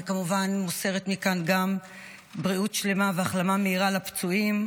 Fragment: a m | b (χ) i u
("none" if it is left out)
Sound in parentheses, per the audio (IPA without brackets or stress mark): ʁ